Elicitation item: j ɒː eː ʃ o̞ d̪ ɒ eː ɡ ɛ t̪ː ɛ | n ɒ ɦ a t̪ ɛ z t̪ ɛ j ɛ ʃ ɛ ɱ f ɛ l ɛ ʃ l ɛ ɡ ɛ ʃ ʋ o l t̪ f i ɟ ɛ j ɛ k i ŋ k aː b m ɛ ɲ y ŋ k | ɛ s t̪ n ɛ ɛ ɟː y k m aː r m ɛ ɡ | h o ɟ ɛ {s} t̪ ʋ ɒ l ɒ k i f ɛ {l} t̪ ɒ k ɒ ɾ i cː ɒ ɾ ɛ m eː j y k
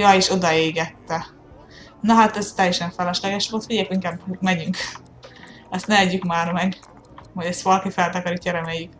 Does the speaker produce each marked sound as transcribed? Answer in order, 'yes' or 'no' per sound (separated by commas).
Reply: yes, yes